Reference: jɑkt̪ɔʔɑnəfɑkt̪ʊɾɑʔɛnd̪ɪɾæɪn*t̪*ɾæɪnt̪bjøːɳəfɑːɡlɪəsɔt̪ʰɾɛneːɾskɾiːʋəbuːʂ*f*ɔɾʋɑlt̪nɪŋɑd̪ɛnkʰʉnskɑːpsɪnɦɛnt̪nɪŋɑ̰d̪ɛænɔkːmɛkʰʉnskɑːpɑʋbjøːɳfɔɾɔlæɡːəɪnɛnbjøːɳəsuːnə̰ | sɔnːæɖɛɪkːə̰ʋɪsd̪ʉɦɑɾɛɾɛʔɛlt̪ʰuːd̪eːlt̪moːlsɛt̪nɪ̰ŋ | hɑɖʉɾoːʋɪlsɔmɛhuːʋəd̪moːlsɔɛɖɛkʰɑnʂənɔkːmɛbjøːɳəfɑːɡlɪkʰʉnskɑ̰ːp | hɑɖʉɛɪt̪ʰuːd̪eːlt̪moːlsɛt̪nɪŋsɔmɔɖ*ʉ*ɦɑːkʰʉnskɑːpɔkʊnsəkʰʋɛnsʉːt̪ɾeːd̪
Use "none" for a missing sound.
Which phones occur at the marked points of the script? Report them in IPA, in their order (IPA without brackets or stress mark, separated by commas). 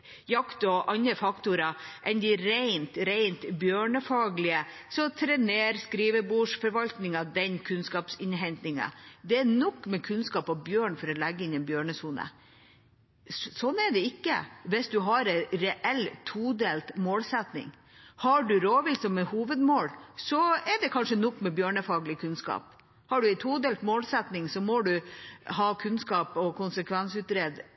t̪, f, ʉ